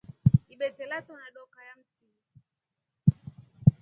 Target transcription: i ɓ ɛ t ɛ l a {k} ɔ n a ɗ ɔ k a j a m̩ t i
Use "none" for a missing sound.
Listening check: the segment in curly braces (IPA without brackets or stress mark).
t